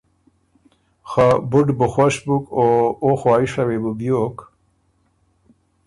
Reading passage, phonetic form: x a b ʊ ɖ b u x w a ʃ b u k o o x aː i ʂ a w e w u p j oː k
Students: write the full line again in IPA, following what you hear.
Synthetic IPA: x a b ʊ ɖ b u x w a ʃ b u k o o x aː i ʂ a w e b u b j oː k